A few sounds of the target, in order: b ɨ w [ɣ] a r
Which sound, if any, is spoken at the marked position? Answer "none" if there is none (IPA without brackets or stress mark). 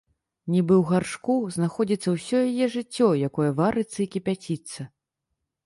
ɣ